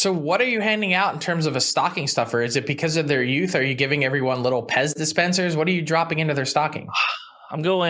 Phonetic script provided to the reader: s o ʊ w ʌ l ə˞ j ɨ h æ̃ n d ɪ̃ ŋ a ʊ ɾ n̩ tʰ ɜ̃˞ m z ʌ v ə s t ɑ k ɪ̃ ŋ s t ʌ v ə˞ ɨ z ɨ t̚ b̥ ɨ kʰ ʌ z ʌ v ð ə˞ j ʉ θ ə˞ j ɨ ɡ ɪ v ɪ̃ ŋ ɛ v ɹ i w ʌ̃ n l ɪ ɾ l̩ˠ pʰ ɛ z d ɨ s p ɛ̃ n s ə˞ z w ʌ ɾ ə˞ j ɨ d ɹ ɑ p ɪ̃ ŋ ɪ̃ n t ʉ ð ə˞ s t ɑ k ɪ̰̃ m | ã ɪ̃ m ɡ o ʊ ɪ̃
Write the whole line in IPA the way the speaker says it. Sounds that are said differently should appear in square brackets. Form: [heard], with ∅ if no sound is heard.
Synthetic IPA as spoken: s o ʊ w ʌ [ɾ] ə˞ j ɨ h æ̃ n d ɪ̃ ŋ a ʊ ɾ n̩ tʰ ɜ̃˞ m z ʌ v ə s t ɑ k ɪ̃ ŋ s t ʌ [f] ə˞ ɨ z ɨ t̚ b̥ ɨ kʰ ʌ z ʌ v ð ə˞ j ʉ θ ə˞ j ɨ ɡ ɪ v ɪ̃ ŋ ɛ v ɹ i w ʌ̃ n l ɪ ɾ l̩ˠ pʰ ɛ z d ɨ s p ɛ̃ n s ə˞ z w ʌ ɾ ə˞ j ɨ d ɹ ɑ p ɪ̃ ŋ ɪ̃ n t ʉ ð ə˞ s t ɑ k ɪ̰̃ [ŋ] | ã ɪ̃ m ɡ o ʊ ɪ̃